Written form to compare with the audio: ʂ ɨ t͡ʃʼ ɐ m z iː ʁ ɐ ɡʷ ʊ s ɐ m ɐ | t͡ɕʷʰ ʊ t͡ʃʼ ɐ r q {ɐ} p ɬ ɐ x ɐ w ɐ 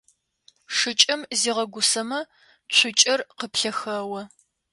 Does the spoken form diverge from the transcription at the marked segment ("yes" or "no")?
yes